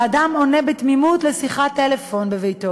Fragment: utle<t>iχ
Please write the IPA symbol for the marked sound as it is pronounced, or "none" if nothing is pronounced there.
s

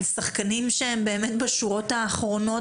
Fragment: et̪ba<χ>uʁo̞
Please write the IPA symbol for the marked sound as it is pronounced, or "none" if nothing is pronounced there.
ʃ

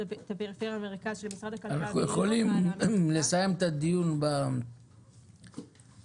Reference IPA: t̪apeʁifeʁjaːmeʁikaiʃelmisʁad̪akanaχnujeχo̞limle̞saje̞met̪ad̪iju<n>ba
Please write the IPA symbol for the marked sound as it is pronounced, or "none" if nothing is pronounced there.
n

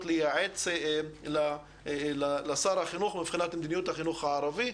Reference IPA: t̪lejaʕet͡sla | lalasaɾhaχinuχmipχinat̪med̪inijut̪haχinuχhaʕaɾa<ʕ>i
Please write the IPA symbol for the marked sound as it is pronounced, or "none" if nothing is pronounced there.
v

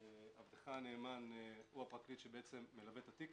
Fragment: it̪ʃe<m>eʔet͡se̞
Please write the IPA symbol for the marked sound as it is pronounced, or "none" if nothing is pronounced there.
b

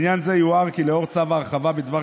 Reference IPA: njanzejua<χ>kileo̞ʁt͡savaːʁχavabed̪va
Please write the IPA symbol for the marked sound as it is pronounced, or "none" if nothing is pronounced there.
ʁ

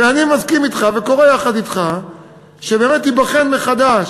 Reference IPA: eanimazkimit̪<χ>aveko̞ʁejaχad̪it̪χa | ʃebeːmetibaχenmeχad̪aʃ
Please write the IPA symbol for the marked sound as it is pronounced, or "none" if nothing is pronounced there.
χ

